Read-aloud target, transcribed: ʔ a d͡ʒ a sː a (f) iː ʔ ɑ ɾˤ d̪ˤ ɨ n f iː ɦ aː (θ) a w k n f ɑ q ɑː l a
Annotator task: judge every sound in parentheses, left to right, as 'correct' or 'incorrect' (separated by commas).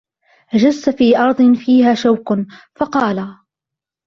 correct, incorrect